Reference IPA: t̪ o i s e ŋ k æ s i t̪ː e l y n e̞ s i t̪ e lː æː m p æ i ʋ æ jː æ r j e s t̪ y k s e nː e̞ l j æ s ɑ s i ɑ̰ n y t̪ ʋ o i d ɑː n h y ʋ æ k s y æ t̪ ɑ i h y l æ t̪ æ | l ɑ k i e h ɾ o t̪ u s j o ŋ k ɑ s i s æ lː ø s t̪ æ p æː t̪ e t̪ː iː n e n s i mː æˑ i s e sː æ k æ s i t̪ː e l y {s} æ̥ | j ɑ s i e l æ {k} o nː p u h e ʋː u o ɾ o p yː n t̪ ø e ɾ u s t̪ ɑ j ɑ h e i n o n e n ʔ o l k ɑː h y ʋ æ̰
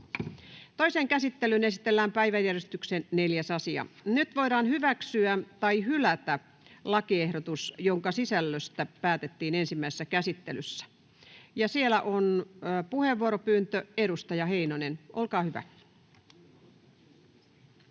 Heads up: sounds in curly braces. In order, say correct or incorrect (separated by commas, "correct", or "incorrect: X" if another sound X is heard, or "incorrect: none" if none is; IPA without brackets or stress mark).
incorrect: sː, incorrect: ʔ